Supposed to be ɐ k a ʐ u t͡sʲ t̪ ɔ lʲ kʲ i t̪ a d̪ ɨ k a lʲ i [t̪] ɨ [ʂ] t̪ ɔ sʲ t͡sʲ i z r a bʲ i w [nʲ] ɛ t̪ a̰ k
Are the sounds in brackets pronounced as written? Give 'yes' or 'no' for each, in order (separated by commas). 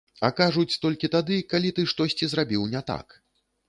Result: yes, yes, yes